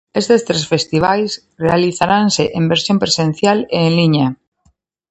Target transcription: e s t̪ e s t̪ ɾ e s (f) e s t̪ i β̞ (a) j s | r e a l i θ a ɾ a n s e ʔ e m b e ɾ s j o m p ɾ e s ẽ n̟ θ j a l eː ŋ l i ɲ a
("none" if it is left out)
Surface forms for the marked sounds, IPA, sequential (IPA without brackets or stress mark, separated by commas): f, a